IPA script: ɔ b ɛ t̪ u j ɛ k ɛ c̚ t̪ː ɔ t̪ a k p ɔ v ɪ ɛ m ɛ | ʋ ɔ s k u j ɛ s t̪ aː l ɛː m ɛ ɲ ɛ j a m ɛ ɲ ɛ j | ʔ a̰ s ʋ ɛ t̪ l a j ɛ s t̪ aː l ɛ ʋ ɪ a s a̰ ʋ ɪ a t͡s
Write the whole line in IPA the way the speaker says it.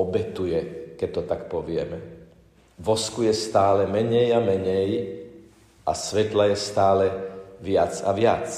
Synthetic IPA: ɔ b ɛ t̪ u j ɛ k ɛ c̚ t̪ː ɔ t̪ a k p ɔ ʋ ɪ ɛ m ɛ | ʋ ɔ s k u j ɛ s t̪ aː l ɛ m ɛ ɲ ɛ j a m ɛ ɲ ɛ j | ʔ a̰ s ʋ ɛ t̪ l a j ɛ s t̪ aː l ɛ ʋ ɪ a t͡s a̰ ʋ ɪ a t͡s